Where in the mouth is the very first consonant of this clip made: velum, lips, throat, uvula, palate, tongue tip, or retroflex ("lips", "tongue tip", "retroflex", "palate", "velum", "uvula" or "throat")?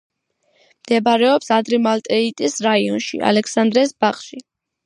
lips